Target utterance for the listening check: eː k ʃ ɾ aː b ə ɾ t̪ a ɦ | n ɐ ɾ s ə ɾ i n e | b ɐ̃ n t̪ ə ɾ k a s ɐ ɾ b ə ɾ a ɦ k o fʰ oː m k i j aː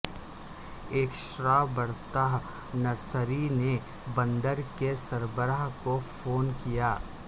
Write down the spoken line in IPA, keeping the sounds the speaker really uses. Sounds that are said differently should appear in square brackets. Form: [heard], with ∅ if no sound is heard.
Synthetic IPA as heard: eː k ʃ ɾ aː b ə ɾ t̪ a ɦ | n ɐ ɾ s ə ɾ i n e | b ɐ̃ n [d̪] ə ɾ k [e] s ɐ ɾ b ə ɾ a ɦ k o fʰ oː [n] k i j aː